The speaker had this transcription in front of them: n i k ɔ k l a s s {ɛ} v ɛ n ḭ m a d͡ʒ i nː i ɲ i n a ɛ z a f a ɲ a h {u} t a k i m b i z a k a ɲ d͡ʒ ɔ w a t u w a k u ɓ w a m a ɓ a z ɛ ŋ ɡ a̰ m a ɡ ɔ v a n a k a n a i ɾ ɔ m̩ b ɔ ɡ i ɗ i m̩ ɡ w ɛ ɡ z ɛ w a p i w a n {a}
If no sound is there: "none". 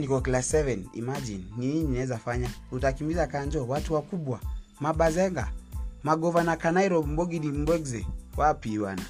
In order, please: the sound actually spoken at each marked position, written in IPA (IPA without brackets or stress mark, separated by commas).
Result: ɛ, u, a